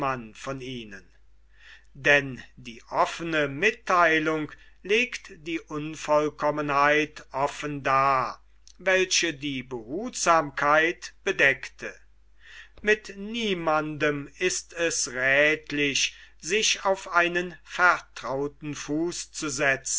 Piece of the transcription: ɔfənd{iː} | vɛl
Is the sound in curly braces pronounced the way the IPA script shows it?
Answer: no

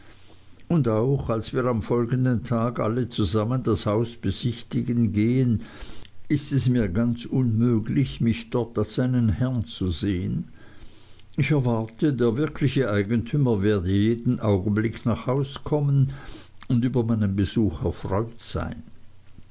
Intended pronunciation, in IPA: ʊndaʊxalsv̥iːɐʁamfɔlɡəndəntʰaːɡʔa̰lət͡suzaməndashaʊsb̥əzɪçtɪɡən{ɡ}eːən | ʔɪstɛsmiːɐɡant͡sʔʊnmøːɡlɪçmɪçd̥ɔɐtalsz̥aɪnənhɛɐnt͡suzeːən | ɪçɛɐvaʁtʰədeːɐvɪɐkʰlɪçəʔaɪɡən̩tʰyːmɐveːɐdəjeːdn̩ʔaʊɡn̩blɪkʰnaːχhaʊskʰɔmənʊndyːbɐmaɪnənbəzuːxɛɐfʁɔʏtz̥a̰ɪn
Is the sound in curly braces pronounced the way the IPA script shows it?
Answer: yes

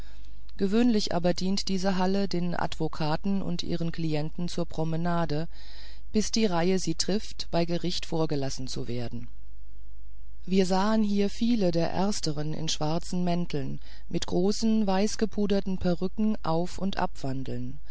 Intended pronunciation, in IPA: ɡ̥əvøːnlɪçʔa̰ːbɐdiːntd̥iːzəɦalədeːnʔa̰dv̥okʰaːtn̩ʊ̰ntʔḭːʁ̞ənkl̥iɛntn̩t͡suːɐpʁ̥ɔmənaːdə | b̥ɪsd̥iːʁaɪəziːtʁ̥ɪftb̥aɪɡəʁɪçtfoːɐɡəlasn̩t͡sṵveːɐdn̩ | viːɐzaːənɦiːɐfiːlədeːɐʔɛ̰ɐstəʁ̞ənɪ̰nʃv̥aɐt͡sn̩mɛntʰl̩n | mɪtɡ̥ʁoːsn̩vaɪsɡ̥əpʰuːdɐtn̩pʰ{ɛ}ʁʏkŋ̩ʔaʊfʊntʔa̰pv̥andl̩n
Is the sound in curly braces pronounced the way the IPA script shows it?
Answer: yes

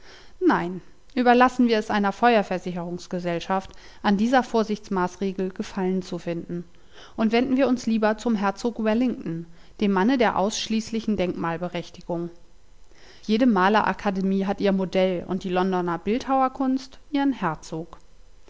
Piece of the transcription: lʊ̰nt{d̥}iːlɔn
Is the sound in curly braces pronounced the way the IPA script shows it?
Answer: yes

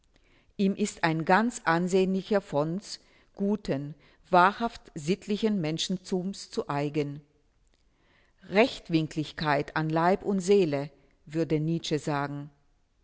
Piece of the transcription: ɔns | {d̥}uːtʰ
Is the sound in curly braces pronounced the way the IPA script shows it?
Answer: no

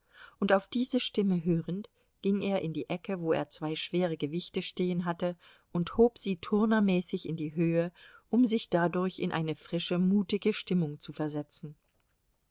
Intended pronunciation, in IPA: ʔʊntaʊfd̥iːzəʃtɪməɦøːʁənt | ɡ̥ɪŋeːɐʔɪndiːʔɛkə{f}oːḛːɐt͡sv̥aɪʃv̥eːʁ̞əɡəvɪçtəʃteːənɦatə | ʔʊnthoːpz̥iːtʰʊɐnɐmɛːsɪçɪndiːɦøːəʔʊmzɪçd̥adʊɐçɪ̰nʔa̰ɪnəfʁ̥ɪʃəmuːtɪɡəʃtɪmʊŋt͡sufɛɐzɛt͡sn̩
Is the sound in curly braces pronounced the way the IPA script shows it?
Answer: no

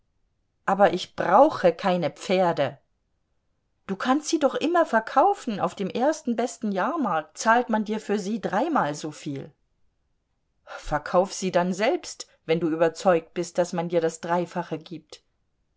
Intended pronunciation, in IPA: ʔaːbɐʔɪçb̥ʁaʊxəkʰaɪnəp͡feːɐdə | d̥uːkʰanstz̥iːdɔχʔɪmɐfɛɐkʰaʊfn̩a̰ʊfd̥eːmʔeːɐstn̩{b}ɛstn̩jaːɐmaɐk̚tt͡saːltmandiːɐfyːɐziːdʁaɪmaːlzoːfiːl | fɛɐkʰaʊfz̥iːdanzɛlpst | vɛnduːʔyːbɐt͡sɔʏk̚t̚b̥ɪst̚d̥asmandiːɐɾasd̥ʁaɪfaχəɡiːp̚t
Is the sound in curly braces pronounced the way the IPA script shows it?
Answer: yes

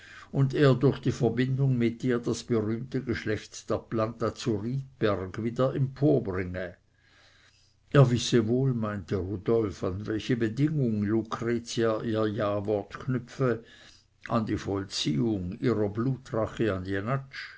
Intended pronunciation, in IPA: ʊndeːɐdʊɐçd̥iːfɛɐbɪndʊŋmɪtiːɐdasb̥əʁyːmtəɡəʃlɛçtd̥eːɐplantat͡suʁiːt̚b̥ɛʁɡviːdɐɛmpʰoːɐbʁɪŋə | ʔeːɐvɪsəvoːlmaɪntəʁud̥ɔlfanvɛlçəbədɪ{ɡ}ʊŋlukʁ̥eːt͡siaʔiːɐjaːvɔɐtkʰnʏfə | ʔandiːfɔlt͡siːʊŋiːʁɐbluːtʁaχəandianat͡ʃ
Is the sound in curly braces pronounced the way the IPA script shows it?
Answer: no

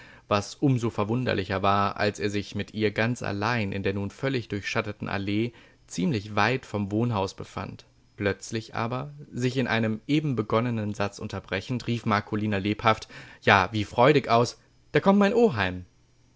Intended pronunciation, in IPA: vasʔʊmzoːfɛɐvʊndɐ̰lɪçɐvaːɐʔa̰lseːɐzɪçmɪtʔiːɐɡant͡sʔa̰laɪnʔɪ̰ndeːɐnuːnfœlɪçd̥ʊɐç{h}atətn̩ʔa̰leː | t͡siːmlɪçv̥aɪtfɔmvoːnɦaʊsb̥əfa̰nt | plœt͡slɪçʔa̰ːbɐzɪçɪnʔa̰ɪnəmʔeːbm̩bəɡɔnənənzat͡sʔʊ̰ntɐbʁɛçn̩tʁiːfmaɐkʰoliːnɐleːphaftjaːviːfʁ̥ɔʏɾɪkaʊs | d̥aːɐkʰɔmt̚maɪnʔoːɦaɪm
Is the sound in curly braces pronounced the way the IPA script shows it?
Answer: no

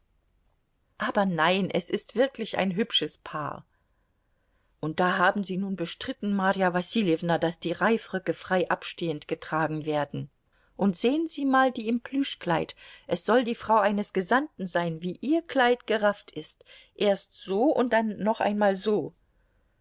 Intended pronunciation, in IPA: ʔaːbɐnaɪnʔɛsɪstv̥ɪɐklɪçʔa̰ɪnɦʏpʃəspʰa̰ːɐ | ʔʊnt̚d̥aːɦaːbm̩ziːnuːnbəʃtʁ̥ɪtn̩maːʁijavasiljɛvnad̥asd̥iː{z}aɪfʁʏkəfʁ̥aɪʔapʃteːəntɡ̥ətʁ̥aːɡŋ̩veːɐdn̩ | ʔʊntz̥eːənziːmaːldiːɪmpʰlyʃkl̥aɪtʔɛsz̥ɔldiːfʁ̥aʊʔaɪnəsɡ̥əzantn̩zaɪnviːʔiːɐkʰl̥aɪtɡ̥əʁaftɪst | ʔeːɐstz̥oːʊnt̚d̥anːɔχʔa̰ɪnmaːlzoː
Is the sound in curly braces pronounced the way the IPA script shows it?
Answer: no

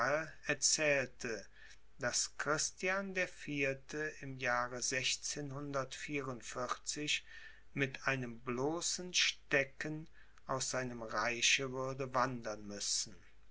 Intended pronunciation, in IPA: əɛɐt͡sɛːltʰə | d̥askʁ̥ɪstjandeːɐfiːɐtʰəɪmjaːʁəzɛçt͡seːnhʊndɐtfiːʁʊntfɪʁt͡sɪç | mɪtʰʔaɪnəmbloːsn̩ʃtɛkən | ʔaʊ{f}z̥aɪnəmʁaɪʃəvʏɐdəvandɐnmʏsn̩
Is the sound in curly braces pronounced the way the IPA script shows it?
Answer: no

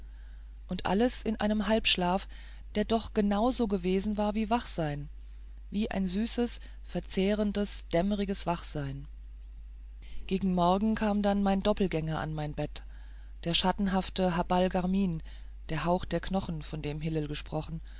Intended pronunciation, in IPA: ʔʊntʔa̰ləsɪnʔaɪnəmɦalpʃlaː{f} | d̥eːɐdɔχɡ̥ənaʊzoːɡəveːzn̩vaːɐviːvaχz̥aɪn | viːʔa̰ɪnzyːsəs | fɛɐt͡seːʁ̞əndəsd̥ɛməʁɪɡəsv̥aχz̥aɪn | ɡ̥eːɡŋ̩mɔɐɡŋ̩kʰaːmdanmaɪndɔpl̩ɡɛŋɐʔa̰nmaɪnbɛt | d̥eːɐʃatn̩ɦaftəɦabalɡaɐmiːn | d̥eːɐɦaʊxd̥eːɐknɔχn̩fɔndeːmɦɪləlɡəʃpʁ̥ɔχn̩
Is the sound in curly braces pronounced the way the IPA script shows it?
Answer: yes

